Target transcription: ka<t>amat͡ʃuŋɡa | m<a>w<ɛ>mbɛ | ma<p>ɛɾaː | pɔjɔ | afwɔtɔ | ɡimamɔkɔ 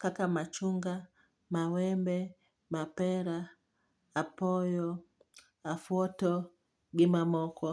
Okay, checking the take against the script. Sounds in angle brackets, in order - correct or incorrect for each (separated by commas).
incorrect, correct, correct, correct